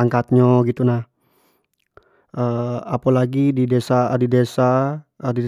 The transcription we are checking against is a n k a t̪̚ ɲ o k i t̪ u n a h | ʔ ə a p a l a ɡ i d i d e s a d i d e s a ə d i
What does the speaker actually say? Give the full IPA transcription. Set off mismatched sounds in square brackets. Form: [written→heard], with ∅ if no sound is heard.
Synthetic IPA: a [n→ŋ] k a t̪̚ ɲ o [k→ɡ] i t̪ u n a h | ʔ ə a p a l a ɡ i d i d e s a d i d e s a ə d i